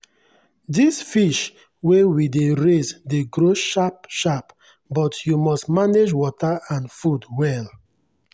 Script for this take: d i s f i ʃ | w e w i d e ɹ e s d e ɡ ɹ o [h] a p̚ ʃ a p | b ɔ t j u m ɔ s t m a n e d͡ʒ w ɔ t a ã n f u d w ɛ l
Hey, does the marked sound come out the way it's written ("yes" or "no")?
no